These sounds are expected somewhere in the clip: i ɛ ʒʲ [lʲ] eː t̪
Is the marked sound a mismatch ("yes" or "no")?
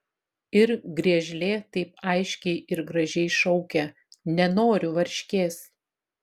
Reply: no